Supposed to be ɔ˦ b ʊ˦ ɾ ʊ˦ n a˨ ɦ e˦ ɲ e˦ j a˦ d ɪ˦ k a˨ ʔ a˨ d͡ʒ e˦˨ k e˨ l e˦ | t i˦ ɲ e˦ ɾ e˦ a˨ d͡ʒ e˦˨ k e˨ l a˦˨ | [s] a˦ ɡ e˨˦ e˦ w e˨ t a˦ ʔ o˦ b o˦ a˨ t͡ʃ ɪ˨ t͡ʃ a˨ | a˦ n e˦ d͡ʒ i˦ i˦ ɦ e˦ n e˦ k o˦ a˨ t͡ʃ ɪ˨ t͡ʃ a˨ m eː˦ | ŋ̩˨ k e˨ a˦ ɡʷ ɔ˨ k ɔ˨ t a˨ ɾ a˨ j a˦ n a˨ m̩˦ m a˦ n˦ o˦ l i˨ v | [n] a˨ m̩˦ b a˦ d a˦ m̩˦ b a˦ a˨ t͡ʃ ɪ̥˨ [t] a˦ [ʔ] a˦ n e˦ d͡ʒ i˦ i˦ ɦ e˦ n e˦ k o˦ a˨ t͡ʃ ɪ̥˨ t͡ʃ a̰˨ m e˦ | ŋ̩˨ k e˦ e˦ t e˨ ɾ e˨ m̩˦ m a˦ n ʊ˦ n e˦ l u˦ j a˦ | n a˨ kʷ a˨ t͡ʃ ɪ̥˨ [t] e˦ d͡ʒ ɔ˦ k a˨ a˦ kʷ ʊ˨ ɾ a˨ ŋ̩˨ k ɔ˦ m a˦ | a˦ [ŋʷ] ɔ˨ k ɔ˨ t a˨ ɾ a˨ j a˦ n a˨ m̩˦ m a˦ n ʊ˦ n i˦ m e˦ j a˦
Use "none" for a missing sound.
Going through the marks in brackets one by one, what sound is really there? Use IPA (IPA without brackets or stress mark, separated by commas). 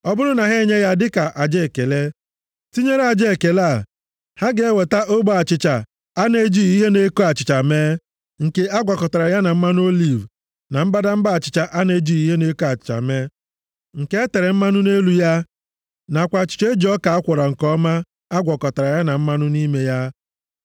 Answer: h, n, t͡ʃ, ʔ, t͡ʃ, ɡʷ